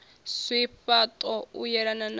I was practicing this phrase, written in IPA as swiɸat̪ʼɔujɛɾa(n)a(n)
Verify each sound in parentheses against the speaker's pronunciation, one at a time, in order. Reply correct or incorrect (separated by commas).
correct, correct